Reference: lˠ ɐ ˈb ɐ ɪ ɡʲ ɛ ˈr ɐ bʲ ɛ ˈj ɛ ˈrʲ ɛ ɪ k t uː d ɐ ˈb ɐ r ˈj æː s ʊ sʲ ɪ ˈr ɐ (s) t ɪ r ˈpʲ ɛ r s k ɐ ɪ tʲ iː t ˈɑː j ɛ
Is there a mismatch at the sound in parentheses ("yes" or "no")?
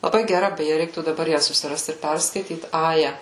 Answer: no